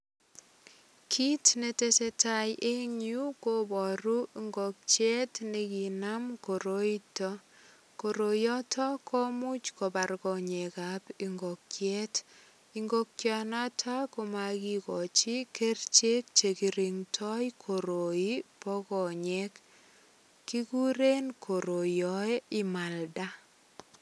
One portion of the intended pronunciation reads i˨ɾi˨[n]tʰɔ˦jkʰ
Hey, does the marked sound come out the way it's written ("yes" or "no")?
no